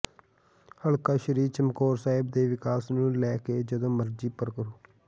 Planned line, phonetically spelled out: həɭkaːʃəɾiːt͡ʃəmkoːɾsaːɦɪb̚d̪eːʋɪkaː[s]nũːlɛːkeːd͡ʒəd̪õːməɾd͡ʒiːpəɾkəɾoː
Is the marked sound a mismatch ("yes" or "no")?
no